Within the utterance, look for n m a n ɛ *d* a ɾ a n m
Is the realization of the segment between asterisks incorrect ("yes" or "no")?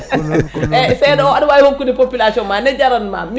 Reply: yes